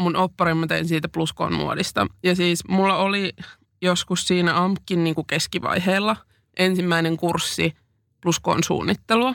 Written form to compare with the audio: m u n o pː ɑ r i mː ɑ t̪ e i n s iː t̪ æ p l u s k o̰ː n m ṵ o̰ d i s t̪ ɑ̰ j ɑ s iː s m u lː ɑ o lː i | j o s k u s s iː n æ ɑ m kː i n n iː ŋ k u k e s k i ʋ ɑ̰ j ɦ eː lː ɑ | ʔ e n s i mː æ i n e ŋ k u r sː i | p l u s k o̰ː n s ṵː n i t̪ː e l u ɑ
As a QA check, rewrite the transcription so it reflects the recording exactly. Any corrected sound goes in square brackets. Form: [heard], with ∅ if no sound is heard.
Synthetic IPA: m u n o pː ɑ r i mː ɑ t̪ e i n s iː t̪ æ p l u s k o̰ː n m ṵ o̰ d i s t̪ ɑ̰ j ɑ s iː s m u lː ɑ o [l] i | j o s k u s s iː n æ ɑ m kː i n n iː ŋ k u k e s k i ʋ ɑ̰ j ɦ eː lː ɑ | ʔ e n s i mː æ i n e ŋ k u r sː i | p l u s k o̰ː n s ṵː [nː] i t̪ː e l u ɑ